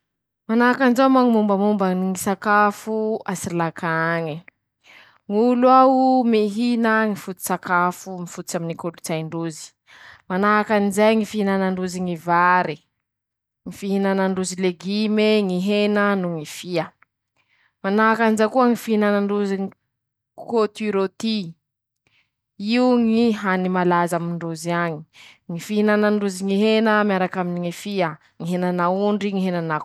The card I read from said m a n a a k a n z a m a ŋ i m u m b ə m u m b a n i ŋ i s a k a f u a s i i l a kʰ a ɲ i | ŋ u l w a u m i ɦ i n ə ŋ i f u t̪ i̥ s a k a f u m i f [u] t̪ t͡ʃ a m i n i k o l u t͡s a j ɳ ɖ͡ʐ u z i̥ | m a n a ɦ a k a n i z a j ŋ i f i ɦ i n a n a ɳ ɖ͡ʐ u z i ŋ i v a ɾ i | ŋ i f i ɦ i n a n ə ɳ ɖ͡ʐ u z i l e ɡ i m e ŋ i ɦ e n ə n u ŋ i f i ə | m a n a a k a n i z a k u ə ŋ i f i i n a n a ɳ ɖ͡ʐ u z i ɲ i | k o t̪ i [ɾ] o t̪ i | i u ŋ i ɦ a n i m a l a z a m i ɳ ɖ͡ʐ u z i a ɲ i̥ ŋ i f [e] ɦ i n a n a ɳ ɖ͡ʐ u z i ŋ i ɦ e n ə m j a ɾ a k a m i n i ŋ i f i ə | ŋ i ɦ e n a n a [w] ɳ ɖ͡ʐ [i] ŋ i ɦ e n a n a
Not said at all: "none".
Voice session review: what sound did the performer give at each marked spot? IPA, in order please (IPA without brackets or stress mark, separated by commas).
u, ɾ, i, u, i